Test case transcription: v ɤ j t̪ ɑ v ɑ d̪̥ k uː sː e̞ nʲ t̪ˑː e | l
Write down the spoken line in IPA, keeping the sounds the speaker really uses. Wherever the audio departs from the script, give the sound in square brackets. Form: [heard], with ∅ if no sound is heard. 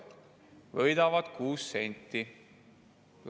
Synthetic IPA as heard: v ɤ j [d̪] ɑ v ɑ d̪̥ k uː sː e̞ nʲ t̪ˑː [i] | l